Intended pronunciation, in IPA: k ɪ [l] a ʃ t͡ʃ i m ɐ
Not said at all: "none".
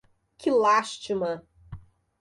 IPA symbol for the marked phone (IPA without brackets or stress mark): l